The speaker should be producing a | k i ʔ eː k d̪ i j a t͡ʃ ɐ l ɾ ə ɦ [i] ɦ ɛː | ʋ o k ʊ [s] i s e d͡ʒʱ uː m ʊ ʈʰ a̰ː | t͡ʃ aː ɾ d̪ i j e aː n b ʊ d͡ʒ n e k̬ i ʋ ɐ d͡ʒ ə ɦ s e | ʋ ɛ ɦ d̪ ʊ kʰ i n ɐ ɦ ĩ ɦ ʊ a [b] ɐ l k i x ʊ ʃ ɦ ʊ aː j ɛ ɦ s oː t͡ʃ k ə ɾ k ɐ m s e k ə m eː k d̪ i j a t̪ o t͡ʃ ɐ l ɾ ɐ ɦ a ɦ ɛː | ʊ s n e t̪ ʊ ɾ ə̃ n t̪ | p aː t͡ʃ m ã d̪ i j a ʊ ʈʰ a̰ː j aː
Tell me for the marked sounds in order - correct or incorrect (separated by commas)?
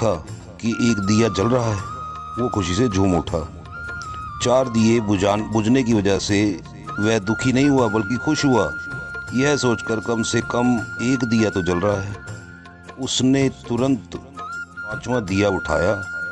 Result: incorrect, incorrect, correct